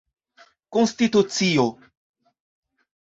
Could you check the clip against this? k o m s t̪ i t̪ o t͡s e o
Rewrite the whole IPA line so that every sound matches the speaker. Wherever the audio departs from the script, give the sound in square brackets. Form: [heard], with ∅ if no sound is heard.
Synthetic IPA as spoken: k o [n] s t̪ i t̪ [u] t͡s [i] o